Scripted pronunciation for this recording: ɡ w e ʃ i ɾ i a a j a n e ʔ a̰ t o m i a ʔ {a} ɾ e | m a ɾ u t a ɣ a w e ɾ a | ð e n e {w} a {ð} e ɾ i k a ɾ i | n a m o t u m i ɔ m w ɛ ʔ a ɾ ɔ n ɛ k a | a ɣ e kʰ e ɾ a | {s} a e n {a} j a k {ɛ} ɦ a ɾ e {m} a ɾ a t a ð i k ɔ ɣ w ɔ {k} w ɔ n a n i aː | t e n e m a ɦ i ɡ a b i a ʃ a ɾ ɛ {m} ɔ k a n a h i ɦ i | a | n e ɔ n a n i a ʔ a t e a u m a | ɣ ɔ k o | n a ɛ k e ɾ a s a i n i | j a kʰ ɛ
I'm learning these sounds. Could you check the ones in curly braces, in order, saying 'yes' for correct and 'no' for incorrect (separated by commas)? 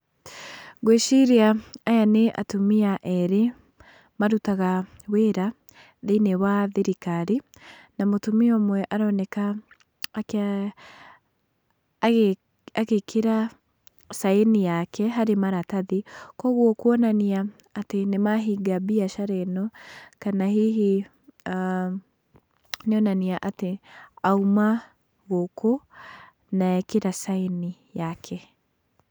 no, yes, yes, yes, no, yes, yes, yes, no